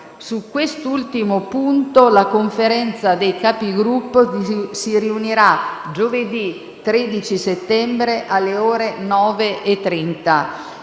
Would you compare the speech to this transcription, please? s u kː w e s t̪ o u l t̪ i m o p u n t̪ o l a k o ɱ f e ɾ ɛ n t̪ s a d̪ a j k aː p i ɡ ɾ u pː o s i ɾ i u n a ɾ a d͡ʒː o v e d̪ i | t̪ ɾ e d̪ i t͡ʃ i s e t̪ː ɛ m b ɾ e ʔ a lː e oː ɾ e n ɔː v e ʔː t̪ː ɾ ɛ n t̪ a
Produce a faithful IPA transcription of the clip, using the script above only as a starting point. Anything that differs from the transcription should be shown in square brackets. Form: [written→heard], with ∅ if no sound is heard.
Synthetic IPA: s u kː w e s t̪ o u l t̪ i m o p u n t̪ o l a k o ɱ f e ɾ ɛ n t̪ s a d̪ [a→e] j k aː p i ɡ ɾ u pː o s i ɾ i u n [a→i] ɾ a [d͡ʒː→d͡ʒ] o v e d̪ i | t̪ ɾ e d̪ i t͡ʃ i s e t̪ː ɛ m b ɾ e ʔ a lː e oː ɾ e n ɔː v e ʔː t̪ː ɾ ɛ n t̪ a